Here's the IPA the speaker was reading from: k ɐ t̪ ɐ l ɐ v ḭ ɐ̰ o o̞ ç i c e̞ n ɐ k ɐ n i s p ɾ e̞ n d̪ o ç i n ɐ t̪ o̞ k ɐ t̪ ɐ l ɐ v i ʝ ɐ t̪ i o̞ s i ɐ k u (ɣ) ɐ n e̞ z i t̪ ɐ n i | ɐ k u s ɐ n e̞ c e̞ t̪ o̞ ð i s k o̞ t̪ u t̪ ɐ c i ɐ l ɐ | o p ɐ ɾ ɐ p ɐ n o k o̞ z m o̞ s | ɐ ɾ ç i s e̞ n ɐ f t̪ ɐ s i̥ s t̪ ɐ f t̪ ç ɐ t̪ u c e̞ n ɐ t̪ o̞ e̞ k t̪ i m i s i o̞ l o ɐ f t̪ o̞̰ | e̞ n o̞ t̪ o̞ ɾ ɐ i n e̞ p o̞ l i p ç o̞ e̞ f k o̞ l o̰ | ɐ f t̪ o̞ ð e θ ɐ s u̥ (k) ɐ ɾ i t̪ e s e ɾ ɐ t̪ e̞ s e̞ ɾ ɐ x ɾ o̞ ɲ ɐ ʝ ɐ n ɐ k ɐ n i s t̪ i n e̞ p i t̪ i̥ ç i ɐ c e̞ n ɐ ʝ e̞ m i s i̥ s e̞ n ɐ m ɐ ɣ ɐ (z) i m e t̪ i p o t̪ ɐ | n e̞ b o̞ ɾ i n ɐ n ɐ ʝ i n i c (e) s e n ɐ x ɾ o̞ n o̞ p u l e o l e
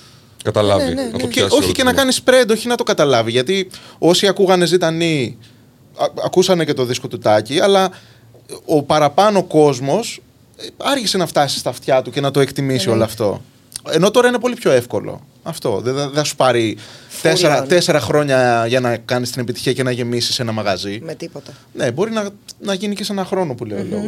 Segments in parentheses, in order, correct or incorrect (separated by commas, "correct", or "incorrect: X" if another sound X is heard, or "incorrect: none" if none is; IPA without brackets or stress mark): correct, incorrect: p, correct, correct